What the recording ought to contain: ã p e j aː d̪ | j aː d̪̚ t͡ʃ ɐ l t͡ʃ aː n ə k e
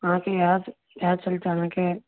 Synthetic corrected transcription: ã k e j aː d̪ | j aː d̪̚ t͡ʃ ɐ l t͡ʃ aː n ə k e